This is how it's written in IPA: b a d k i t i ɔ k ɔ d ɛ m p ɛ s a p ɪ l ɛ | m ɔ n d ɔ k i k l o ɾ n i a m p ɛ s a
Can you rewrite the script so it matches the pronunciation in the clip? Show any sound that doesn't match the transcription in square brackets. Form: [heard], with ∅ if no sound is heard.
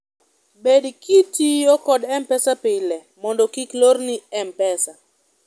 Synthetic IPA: b [e] d k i t i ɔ k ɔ d ɛ m p ɛ s a p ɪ l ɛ | m ɔ n d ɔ k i k l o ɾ n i [ɛ] m p ɛ s a